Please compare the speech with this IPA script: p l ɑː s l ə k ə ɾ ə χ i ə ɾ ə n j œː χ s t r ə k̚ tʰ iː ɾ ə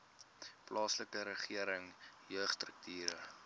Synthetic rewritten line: p l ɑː s l ə k ə ɾ ə χ i ə ɾ ə ŋ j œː χ s t r ə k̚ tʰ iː ɾ ə